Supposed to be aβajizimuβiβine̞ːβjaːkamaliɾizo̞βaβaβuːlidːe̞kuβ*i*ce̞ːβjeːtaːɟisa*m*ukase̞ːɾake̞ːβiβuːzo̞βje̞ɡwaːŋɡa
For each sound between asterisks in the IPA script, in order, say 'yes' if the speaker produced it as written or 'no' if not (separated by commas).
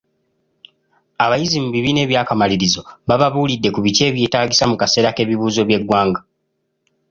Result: yes, yes